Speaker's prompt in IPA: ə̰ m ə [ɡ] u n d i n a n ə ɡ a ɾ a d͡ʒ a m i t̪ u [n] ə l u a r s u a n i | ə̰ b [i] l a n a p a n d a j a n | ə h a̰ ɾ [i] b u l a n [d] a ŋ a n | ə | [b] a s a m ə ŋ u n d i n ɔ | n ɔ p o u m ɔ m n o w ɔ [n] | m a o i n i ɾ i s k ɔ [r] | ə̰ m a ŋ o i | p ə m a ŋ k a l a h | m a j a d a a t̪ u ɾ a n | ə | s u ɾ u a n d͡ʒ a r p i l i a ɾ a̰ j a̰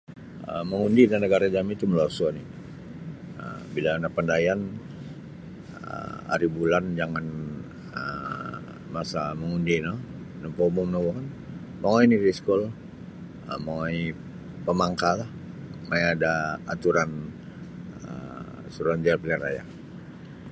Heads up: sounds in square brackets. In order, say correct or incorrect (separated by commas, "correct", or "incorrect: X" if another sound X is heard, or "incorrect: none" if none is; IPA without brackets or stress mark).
incorrect: ŋ, incorrect: m, correct, correct, incorrect: d͡ʒ, incorrect: m, correct, incorrect: l